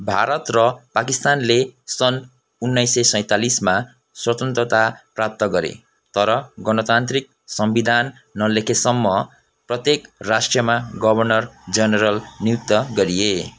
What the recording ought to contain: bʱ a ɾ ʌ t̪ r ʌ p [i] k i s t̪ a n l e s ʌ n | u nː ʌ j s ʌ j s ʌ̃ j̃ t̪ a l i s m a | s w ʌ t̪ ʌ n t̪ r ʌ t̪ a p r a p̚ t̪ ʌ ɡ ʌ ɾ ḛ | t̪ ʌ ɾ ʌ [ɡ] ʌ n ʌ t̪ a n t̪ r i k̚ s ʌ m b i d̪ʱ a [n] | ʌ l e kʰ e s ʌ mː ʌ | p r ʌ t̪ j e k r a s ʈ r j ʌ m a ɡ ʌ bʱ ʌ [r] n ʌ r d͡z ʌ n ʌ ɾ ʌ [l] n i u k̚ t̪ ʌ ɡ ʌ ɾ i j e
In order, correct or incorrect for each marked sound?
incorrect, correct, incorrect, correct, correct

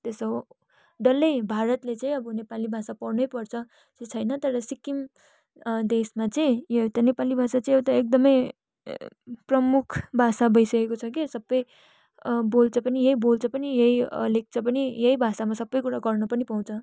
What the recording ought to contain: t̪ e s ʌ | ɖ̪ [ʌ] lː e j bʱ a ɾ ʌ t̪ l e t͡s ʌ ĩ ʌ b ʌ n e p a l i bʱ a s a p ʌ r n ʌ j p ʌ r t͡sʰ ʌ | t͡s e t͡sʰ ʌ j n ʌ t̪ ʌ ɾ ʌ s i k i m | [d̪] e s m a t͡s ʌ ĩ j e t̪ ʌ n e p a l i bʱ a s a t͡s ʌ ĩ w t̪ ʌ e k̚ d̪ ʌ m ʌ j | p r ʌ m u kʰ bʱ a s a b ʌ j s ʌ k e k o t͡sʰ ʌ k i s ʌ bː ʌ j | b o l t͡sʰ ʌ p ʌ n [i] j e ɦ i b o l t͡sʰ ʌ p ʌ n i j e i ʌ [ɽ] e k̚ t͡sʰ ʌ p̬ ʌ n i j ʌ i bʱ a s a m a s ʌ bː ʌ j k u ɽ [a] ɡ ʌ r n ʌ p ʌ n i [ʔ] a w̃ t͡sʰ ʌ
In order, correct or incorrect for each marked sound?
correct, correct, correct, incorrect, correct, incorrect

